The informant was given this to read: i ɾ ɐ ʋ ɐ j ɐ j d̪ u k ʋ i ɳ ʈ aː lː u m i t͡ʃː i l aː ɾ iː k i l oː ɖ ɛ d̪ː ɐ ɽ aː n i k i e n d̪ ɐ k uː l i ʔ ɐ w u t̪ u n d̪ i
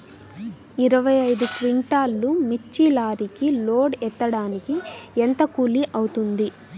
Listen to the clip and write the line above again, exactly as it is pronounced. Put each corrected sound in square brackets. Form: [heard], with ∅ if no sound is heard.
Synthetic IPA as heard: i ɾ ɐ ʋ ɐ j ɐ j d̪ u k ʋ i ɳ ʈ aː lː u m i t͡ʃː i l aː ɾ [i] k i l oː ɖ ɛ [t̪ː] ɐ ɽ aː n i k i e n [t̪] ɐ k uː l i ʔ ɐ w u t̪ u n d̪ i